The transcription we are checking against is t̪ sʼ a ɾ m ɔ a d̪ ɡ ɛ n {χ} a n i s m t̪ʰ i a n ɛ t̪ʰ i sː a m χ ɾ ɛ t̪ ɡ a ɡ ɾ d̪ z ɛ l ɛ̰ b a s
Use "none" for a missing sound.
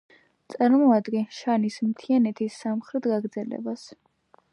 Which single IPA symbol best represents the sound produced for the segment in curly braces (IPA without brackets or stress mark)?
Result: ʃ